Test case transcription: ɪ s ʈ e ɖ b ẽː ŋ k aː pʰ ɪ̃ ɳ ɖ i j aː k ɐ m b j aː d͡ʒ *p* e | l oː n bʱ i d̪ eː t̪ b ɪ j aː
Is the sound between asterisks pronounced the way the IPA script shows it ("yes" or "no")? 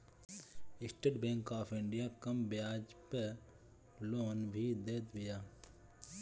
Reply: yes